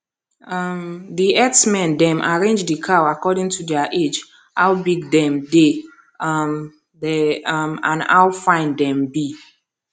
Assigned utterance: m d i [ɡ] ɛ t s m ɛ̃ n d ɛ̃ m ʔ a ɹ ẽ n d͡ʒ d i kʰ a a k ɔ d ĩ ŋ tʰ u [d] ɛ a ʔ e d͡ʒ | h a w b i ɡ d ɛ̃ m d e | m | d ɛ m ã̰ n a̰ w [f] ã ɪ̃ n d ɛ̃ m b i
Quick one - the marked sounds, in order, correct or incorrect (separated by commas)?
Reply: incorrect, correct, correct